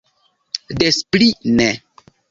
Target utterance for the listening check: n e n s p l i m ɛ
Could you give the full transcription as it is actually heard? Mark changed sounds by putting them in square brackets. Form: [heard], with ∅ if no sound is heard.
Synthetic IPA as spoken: [d] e [∅] s p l i [n] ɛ